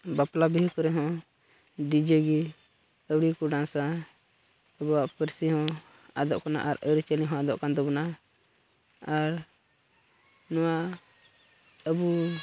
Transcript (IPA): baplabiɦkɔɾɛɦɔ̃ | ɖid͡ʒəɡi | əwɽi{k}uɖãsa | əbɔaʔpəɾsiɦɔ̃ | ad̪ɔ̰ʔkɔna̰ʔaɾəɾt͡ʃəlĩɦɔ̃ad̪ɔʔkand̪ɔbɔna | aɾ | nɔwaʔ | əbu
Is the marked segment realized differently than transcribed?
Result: no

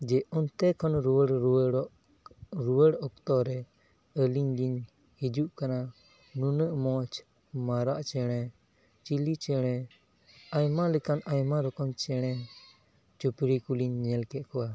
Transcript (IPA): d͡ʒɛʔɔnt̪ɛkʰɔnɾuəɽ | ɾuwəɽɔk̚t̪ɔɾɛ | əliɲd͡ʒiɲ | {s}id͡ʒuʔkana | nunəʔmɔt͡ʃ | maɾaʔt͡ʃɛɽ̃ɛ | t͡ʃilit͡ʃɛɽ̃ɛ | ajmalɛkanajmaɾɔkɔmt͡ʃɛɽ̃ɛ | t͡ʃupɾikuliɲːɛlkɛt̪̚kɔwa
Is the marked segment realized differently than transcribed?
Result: yes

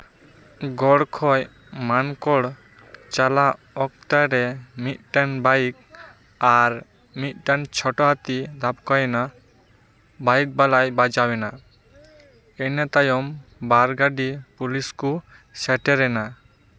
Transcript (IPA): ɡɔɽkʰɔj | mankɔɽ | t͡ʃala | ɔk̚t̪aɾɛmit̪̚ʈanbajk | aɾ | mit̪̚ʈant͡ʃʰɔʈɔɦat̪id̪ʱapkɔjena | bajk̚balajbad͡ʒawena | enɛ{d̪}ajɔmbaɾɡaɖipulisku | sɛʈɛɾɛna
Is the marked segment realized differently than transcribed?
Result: yes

